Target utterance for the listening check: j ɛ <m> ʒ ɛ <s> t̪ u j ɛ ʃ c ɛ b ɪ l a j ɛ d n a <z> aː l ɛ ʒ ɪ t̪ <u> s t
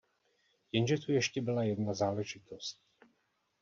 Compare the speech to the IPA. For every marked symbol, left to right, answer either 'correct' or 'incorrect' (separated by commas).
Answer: incorrect, incorrect, correct, incorrect